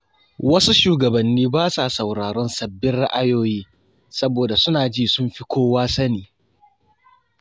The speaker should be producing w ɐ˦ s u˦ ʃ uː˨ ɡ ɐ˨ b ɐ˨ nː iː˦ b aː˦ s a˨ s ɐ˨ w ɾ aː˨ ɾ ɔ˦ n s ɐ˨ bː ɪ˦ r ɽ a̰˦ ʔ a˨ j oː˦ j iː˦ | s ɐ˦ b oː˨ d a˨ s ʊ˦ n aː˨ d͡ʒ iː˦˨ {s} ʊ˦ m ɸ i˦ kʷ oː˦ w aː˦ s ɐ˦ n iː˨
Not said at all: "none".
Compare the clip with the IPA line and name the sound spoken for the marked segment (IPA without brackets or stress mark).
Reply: s